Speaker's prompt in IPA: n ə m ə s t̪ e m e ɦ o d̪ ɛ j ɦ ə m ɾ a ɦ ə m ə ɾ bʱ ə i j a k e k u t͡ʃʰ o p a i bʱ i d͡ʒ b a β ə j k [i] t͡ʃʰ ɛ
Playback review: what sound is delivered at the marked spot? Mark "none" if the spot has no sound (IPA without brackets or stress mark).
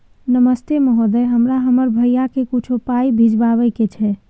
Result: e